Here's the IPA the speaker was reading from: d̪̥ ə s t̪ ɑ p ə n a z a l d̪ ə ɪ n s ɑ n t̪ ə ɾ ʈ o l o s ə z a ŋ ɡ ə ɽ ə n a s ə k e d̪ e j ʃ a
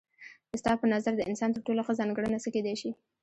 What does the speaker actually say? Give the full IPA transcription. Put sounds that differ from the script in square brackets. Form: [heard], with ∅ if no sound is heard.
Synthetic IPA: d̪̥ ə s t̪ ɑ p ə n a z a [ɾ] d̪ ə ɪ n s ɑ n t̪ ə ɾ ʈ o l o [x] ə z [ɑ] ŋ ɡ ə ɽ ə n a s ə k e d̪ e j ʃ [i]